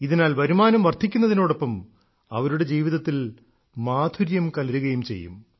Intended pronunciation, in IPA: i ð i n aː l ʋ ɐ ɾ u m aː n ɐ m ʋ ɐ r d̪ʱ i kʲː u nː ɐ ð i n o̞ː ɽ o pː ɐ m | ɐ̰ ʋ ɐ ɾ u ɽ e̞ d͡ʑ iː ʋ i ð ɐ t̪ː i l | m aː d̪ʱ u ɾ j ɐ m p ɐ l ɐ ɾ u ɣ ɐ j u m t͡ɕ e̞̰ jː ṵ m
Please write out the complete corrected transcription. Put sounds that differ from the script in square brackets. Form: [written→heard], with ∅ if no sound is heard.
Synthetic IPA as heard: i ð i n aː l ʋ ɐ ɾ u m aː n ɐ m ʋ ɐ r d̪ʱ i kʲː u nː ɐ ð i n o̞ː ɽ o pː ɐ m | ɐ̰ ʋ ɐ ɾ u ɽ e̞ d͡ʑ iː ʋ i ð ɐ t̪ː i l | m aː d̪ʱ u ɾ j ɐ m [p→k] ɐ l ɐ ɾ u ɣ ɐ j u m t͡ɕ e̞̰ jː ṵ m